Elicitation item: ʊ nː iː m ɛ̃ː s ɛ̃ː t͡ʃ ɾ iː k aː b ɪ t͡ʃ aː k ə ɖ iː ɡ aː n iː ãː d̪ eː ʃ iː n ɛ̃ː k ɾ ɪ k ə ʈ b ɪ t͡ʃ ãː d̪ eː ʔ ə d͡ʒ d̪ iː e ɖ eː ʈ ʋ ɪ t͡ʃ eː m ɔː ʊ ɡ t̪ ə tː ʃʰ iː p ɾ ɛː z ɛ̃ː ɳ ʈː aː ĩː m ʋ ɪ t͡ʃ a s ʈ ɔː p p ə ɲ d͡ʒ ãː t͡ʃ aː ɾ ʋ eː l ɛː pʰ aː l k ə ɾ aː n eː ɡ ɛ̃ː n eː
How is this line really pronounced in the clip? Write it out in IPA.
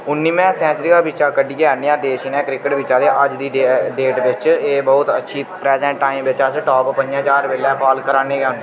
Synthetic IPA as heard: ʊ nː iː m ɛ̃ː s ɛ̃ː t͡ʃ ɾ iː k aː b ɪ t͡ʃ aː k ə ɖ iː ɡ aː n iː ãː d̪ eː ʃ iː n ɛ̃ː k ɾ ɪ k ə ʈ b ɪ t͡ʃ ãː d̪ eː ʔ ə d͡ʒ d̪ iː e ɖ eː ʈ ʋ ɪ t͡ʃ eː b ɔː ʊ t̪ ə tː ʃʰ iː p ɾ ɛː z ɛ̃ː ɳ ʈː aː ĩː m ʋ ɪ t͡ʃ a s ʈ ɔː p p ə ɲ d͡ʒ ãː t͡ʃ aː ɾ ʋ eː l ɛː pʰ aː l k ə ɾ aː n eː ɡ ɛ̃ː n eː